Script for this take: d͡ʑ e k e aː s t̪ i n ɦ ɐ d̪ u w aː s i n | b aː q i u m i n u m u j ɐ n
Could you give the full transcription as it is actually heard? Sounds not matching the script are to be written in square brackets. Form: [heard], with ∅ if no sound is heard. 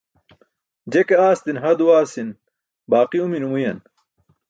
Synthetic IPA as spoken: d͡ʑ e k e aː s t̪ i n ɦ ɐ d̪ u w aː s i n | b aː q i u m i n u m u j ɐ n